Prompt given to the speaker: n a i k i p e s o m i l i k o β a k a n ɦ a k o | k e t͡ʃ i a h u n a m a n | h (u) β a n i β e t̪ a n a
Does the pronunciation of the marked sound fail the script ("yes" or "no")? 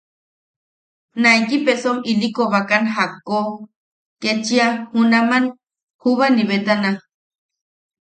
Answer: no